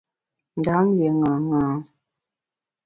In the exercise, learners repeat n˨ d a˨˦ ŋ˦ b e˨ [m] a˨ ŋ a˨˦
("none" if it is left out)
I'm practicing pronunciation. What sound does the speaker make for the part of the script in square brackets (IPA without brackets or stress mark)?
ŋ